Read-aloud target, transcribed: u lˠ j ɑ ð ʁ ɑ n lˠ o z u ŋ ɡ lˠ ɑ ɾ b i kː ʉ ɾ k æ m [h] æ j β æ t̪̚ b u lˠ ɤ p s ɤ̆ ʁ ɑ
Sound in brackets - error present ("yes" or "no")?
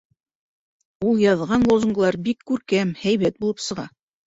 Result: no